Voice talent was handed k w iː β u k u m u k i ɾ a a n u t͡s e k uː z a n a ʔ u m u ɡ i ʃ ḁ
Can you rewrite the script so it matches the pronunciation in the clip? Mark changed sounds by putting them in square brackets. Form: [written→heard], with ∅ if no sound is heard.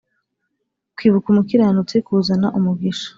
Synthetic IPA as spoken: k w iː β u k u m u k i ɾ a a n u t͡s e k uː z a n a ʔ u m u ɡ i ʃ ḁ